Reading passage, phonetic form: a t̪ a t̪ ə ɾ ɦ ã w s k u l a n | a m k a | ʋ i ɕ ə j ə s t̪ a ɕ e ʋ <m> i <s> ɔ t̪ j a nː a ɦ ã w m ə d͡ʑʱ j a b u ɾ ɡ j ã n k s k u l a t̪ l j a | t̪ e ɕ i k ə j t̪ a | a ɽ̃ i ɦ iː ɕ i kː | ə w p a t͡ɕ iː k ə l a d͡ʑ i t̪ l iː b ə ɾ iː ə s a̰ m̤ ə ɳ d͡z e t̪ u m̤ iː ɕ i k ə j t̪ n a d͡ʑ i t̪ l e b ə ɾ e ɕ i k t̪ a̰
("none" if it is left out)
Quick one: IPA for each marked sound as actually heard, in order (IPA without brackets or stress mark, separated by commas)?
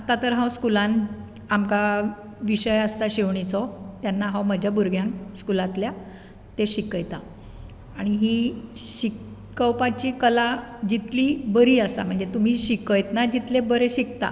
ɳ, t͡s